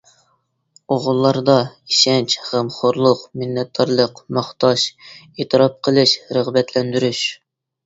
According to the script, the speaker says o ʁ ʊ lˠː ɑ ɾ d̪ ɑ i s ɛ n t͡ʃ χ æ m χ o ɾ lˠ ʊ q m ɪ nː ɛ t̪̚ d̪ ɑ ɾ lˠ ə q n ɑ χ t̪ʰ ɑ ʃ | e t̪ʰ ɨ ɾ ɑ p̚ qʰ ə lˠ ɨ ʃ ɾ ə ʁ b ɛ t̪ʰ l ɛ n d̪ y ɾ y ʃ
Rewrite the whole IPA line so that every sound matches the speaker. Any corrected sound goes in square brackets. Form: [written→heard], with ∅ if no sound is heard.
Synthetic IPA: o ʁ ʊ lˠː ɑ ɾ d̪ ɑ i [s→ʃ] ɛ n t͡ʃ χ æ m χ o ɾ lˠ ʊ q m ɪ nː ɛ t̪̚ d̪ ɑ ɾ lˠ ə q [n→m] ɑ χ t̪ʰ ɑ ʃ | e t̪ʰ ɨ ɾ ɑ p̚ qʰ ə lˠ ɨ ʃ ɾ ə ʁ b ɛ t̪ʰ l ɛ n d̪ y ɾ y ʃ